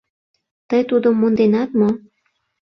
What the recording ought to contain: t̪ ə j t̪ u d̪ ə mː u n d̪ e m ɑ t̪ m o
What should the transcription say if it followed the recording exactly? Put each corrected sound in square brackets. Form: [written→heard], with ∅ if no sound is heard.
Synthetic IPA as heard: t̪ ə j t̪ u d̪ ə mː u n d̪ e [m→n] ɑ t̪ m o